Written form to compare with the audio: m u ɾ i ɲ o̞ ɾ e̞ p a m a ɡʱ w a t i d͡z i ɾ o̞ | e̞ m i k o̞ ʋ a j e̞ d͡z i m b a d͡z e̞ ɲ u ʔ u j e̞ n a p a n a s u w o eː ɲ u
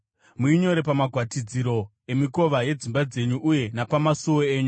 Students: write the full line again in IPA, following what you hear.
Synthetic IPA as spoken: m u i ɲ o̞ ɾ e̞ p a m a ɡʱ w a t i d͡z i ɾ o̞ | e̞ m i k o̞ ʋ a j e̞ d͡z i m b a d͡z e̞ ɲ u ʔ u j e̞ n a p a m a s u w o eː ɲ u

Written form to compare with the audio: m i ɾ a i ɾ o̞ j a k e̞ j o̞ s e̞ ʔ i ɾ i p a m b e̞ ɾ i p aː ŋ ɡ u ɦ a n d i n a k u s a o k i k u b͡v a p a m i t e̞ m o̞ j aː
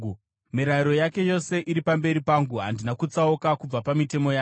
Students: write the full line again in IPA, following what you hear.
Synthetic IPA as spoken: m i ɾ a i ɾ o̞ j a k e̞ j o̞ s e̞ ʔ i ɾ i p a m b e̞ ɾ i p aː ŋ ɡ u ɦ a n d i n a k u t͡s a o k a k u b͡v a p a m i t e̞ m o̞ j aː

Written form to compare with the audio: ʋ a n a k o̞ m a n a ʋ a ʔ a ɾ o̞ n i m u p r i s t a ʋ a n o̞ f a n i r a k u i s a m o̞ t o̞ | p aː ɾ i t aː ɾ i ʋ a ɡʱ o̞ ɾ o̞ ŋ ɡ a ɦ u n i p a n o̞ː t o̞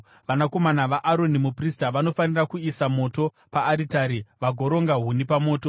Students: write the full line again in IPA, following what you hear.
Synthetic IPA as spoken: ʋ a n a k o̞ m a n a ʋ a ʔ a ɾ o̞ n i m u p r i s t a ʋ a n o̞ f a n i r a k u i s a m o̞ t o̞ | p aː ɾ i t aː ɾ i ʋ a ɡʱ o̞ ɾ o̞ ŋ ɡ a ɦ u n i p a m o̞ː t o̞

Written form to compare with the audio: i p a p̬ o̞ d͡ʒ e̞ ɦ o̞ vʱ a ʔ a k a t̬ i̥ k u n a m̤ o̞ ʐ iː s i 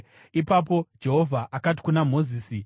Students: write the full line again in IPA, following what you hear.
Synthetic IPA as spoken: i p a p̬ o̞ d͡ʒ e̞ ɦ o̞ vʱ a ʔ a k a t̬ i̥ k u n a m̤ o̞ z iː s i

